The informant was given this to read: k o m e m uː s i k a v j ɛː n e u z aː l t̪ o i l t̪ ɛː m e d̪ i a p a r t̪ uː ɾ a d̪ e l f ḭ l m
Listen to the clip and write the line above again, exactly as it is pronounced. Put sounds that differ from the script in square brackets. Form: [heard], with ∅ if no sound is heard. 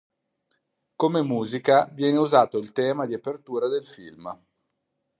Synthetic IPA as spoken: k o m e m uː [z] i k a v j ɛː n e u z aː [∅] t̪ o i l t̪ ɛː m [a] d̪ i a p [e] r t̪ uː ɾ a d̪ e l f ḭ l m